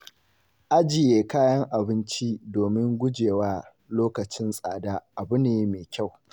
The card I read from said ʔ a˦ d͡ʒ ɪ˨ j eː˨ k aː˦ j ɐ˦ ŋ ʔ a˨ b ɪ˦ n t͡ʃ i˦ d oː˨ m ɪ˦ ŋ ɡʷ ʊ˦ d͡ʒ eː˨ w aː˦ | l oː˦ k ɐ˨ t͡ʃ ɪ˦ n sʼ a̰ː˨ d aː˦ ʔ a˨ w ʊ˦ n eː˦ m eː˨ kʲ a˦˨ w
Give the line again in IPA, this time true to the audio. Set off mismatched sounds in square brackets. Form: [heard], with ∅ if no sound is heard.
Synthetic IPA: ʔ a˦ d͡ʒ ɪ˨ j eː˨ k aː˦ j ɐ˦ ŋ ʔ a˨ b ɪ˦ n t͡ʃ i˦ d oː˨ m ɪ˦ ŋ ɡʷ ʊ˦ d͡ʒ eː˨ w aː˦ | l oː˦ k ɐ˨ t͡ʃ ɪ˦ n sʼ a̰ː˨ d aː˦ ʔ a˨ [b] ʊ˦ n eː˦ m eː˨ kʲ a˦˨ w